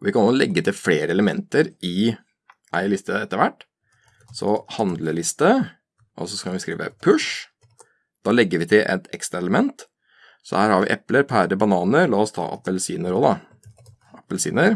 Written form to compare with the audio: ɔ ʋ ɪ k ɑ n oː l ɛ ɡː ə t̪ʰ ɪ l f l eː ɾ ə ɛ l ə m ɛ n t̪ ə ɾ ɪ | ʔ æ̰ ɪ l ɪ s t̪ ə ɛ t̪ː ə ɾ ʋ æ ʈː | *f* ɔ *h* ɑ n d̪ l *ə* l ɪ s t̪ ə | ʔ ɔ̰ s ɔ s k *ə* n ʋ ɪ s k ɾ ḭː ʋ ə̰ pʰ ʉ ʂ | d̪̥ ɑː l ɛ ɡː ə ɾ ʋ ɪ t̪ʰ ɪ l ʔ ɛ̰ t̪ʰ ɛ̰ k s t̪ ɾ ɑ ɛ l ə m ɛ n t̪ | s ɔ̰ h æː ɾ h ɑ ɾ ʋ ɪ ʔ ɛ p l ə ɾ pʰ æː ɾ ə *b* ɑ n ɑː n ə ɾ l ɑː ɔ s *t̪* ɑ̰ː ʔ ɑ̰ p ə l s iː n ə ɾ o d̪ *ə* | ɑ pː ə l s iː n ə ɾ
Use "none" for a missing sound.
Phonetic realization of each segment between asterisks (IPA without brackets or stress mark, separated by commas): s, h, ə, ɑ, b, t̪ʰ, ɑ